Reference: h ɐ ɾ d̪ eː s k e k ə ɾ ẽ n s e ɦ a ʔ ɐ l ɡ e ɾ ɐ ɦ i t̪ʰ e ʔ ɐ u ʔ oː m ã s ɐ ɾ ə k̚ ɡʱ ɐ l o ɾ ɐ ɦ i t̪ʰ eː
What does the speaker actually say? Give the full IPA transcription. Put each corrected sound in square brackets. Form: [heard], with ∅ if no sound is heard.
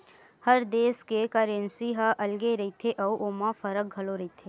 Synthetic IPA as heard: h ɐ ɾ d̪ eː s k e k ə ɾ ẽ n s [i] ɦ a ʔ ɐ l ɡ e ɾ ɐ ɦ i t̪ʰ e ʔ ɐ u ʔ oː m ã [f] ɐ ɾ ə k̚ ɡʱ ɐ l o ɾ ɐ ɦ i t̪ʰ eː